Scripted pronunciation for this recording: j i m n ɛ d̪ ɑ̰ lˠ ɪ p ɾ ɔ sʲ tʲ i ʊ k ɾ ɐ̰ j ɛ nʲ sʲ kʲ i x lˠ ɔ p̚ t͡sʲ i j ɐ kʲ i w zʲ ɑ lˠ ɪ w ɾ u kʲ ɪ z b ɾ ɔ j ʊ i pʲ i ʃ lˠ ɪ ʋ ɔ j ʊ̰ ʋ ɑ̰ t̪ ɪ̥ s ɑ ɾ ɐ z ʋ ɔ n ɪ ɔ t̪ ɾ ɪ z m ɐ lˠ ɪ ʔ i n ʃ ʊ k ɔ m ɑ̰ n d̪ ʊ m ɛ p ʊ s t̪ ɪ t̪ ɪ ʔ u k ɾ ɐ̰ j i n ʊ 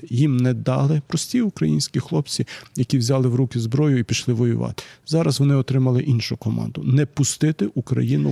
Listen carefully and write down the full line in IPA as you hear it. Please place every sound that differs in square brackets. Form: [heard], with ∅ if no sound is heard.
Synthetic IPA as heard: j i m n ɛ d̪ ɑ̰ lˠ ɪ p ɾ ɔ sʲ tʲ i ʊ k ɾ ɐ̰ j [i] nʲ sʲ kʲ i x lˠ ɔ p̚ t͡sʲ i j ɐ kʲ i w zʲ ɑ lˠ ɪ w ɾ u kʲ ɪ z b ɾ ɔ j ʊ i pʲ i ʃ lˠ ɪ ʋ ɔ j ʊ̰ ʋ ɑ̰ t̪ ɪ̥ [z] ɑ ɾ ɐ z ʋ ɔ n ɪ ɔ t̪ ɾ ɪ [∅] m ɐ lˠ ɪ ʔ i n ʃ ʊ k ɔ m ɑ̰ n d̪ ʊ [n] ɛ p ʊ s t̪ ɪ t̪ ɪ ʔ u k ɾ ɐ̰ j i n ʊ